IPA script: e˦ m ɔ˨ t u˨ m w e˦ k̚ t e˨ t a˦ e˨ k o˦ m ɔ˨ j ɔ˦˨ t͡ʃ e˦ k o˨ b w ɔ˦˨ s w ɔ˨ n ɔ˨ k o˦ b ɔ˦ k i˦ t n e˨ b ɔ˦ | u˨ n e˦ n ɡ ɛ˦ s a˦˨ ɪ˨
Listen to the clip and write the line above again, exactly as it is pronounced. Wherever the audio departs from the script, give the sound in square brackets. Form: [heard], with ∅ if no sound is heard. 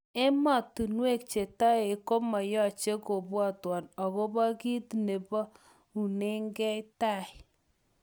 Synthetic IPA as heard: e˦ m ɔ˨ t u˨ [n] w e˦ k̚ [t͡ʃ] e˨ t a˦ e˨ k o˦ m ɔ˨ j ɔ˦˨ t͡ʃ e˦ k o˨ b w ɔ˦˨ [t] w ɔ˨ n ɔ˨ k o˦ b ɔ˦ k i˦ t n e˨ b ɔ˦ | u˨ n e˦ [ŋ] ɡ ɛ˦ [t] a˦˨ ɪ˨